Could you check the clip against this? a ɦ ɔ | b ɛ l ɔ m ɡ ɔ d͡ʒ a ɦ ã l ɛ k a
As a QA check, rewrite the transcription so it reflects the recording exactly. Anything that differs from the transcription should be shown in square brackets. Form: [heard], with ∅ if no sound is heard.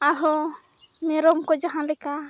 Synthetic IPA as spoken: a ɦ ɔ | [m] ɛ [ɾ] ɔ m [k] ɔ d͡ʒ a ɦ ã l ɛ k a